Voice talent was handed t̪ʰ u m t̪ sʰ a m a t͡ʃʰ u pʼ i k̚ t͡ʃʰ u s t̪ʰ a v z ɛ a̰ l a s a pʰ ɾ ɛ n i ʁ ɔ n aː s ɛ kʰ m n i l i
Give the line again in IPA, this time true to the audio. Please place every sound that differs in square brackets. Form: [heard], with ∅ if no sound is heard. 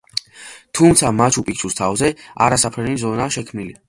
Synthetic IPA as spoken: t̪ʰ u m t̪ sʰ a m a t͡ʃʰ u pʼ i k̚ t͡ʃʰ u s t̪ʰ a v z ɛ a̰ [ɾ] a s a pʰ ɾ ɛ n i [z] ɔ n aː [ʃ] ɛ kʰ m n i l i